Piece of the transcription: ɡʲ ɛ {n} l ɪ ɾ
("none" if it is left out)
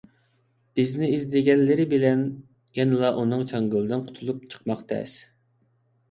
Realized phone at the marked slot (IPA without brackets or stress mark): n